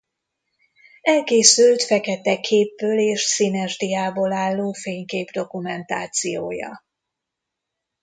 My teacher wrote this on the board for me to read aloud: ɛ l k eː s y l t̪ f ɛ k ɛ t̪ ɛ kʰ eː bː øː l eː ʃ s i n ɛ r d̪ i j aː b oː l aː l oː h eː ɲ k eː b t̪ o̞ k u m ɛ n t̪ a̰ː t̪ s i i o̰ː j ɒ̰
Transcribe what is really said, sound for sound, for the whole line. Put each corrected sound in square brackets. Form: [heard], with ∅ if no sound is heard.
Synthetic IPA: ɛ l k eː s y l t̪ f ɛ k ɛ t̪ ɛ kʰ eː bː øː l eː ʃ s i n ɛ r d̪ i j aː b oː l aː [lː] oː [f] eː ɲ k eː b [d̪] o̞ k u m ɛ n t̪ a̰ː t̪ s i [j] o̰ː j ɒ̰